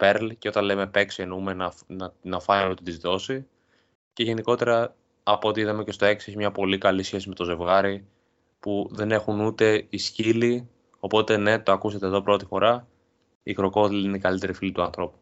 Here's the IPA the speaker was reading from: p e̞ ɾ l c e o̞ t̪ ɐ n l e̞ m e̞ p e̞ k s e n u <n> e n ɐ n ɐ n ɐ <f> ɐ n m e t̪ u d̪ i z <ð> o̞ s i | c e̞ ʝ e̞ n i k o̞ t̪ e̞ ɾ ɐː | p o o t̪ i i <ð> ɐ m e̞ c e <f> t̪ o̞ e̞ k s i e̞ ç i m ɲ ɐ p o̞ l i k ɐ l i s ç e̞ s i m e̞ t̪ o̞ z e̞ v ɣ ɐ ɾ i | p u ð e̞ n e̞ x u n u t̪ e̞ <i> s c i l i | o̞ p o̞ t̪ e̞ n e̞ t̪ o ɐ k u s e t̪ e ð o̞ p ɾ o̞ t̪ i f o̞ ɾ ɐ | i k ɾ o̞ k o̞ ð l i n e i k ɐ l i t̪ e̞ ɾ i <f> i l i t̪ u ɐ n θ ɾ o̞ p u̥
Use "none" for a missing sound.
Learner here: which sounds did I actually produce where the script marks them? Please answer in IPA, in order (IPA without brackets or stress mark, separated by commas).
m, f, ð, ð, s, i, f